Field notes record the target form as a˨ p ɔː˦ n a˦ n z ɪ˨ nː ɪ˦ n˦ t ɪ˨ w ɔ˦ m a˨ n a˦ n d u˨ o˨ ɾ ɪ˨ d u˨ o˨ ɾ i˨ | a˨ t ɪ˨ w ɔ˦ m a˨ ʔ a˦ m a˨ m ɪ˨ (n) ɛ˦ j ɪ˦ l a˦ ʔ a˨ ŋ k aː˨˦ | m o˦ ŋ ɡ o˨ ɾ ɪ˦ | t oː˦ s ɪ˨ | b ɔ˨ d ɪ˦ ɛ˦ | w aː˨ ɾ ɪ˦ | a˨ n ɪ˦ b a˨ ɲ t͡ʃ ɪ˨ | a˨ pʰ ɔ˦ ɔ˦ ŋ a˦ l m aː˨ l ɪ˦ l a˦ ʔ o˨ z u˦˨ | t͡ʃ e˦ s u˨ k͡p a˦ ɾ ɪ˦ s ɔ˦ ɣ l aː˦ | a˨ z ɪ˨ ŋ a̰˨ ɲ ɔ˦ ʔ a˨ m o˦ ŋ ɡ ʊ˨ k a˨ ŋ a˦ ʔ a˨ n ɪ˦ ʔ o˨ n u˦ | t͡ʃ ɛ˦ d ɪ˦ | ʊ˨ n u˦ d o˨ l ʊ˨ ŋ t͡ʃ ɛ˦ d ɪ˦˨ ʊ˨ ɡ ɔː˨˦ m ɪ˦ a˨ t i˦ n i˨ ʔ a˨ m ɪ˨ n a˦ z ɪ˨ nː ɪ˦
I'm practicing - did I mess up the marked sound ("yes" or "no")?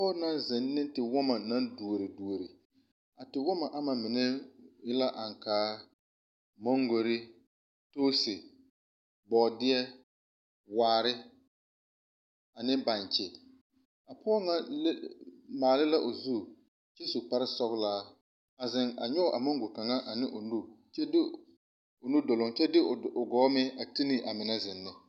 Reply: no